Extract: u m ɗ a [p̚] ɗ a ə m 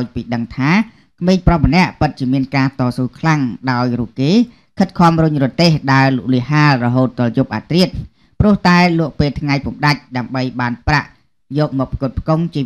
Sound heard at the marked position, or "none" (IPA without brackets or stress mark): c̚